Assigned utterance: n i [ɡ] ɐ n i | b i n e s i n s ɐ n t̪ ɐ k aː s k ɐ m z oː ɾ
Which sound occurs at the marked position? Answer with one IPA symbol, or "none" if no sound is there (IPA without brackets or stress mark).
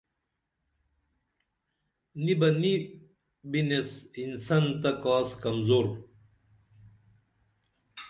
b